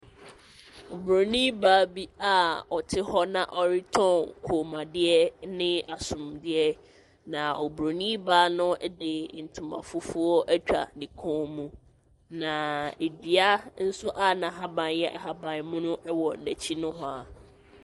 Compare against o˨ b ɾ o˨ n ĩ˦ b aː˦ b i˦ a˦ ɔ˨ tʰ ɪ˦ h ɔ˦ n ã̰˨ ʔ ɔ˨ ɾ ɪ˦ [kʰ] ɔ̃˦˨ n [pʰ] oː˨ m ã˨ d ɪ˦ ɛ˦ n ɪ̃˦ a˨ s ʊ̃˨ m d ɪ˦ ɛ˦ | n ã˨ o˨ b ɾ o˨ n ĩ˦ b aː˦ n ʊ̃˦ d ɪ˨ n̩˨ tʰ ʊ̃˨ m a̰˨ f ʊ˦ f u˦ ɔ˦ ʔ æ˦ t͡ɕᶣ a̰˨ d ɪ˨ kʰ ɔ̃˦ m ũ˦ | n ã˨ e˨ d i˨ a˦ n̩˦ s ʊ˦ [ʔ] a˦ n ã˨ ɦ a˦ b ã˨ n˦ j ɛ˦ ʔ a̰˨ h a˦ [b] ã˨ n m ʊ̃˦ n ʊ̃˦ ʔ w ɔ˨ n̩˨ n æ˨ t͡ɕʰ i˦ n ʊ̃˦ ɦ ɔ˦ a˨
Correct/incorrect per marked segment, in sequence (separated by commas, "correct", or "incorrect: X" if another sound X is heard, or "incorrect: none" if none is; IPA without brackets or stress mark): incorrect: tʰ, incorrect: kʰ, correct, correct